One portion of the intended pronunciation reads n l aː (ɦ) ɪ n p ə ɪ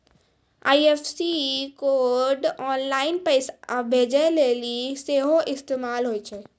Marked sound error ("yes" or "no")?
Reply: yes